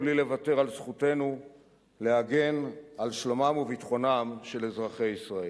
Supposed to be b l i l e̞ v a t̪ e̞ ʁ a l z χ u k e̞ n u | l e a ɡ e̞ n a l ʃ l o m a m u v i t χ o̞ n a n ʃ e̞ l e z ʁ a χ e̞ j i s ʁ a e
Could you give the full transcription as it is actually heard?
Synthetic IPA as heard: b l i l e̞ v a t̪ e̞ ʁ a l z χ u t e̞ n u | l e a ɡ e̞ n a l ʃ l o m a m u v i t χ o̞ n a m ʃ e̞ l e z ʁ a χ e̞ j i s ʁ a e